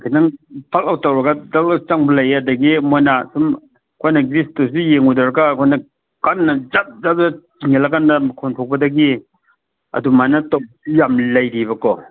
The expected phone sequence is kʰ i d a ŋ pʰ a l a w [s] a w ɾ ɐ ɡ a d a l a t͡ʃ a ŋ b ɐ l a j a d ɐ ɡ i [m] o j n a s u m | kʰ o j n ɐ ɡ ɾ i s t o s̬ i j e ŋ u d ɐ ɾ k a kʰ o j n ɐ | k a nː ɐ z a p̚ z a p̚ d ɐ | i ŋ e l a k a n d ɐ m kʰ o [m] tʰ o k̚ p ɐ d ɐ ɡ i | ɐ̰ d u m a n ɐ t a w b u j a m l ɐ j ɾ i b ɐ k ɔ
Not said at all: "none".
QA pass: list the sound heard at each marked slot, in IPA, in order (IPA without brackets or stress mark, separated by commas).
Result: t, m, n